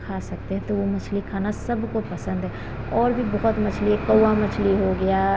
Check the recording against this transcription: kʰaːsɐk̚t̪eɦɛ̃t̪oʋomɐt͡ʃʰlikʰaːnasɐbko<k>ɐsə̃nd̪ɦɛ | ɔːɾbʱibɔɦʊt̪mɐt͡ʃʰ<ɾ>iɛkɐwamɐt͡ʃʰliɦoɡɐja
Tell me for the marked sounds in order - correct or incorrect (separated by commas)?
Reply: incorrect, incorrect